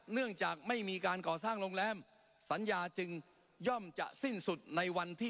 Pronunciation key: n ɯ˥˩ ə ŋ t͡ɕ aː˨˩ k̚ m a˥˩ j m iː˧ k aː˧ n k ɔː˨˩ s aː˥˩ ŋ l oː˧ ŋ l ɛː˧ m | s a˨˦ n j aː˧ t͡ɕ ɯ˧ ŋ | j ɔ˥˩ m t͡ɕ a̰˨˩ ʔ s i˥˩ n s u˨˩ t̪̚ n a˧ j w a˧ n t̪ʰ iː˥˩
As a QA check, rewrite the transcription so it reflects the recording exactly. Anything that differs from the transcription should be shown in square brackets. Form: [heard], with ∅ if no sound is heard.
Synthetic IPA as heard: n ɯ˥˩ ə ŋ t͡ɕ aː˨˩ k̚ m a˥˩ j m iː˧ k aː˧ n k ɔː˨˩ s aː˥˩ ŋ l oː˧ ŋ l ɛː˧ m | s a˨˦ n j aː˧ t͡ɕ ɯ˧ ŋ | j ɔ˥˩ m t͡ɕ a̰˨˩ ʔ s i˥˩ n s u˨˩ t̪̚ n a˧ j w a˧ n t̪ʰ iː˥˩